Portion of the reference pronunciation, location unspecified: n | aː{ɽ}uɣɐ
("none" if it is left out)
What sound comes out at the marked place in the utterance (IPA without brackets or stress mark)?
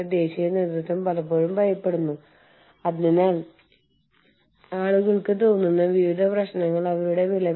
ɭ